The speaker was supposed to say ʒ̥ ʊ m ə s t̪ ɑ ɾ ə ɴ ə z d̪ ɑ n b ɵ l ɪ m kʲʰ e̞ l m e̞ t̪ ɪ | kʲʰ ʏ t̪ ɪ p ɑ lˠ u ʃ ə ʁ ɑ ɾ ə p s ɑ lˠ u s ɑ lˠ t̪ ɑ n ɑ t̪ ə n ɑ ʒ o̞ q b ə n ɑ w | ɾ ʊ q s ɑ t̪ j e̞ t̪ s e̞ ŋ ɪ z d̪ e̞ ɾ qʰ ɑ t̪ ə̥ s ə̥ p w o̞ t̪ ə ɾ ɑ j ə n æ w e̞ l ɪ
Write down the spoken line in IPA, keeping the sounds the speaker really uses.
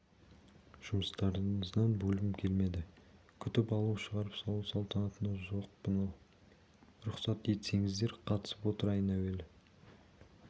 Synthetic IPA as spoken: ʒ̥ ʊ m ə s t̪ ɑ ɾ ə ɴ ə z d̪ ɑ n b ɵ l ɪ m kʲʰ e̞ l m e̞ d̪ ɪ | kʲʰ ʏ t̪ ɪ p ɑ lˠ u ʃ ə ʁ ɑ ɾ ə p s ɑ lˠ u s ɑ lˠ t̪ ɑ n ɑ t̪ ə n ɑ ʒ o̞ q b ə n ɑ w | ɾ ʊ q s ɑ t̪ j e̞ t̪ s e̞ ŋ ɪ z d̪ e̞ ɾ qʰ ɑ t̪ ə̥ s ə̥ p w o̞ t̪ ə ɾ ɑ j ə n æ w e̞ l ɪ